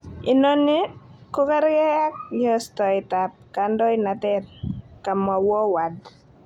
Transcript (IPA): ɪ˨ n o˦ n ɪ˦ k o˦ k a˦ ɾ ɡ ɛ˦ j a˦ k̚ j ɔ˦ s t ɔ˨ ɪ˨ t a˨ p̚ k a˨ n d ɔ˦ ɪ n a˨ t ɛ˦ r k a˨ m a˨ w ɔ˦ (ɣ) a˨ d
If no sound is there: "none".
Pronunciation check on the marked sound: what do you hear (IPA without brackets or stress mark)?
w